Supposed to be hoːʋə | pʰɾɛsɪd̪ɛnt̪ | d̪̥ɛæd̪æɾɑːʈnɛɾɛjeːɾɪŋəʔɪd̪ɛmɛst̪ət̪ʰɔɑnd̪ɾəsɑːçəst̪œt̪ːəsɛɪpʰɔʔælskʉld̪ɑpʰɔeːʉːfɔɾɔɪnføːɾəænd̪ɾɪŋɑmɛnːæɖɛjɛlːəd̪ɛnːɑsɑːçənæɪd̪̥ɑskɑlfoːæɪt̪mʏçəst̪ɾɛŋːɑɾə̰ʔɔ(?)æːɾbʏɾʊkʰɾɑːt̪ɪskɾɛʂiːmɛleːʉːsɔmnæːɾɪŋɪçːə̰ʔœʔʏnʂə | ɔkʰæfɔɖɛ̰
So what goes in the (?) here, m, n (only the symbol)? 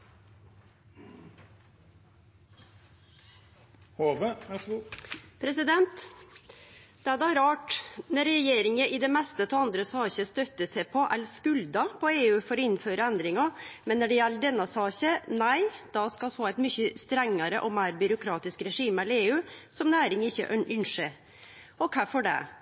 m